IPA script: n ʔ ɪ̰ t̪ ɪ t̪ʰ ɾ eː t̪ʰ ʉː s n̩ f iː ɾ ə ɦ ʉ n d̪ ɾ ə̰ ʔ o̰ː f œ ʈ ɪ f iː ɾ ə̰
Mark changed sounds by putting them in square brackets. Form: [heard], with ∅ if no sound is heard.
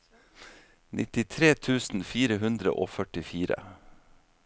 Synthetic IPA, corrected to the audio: n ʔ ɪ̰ t̪ ɪ t̪ʰ ɾ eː t̪ʰ ʉː s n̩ f iː ɾ ə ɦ ʉ n d̪ ɾ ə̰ ʔ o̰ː f œ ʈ ɪ f iː ɾ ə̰